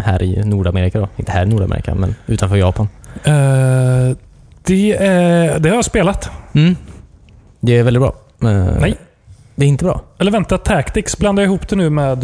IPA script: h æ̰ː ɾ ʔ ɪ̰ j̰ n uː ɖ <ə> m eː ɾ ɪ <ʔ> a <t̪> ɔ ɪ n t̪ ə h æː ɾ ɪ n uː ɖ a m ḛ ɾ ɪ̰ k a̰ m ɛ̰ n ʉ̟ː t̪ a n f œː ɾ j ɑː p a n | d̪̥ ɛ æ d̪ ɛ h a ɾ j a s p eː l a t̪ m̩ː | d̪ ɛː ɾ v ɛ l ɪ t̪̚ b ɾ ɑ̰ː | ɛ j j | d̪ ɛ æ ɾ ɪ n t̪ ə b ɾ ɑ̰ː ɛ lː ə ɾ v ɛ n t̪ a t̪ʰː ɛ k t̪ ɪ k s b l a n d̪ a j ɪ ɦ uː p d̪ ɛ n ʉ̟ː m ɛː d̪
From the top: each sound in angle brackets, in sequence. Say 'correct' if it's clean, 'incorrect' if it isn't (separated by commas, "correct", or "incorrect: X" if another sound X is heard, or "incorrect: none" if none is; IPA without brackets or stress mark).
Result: incorrect: a, incorrect: k, incorrect: d̪